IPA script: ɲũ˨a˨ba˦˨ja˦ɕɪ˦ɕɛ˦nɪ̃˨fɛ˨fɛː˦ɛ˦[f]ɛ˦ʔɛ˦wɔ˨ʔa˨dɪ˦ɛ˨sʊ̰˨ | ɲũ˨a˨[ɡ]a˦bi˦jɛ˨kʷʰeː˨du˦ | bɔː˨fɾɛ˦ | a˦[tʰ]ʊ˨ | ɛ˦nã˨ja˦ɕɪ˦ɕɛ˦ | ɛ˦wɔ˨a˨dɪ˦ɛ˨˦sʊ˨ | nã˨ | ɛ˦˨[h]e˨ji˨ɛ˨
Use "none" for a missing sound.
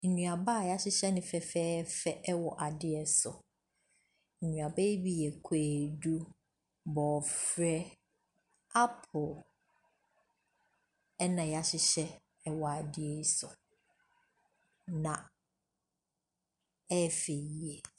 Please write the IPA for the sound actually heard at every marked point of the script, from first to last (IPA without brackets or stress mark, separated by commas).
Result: f, b, pʰ, f